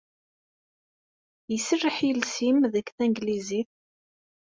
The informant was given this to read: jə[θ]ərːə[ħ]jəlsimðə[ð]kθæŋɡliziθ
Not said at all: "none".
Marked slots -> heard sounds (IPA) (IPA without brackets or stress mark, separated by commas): s, ħ, none